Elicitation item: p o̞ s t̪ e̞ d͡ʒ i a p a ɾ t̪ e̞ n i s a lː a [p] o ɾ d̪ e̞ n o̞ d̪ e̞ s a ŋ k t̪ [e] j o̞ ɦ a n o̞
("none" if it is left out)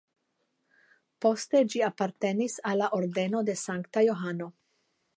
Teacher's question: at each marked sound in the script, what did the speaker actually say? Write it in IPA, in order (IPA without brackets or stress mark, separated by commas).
ʔ, a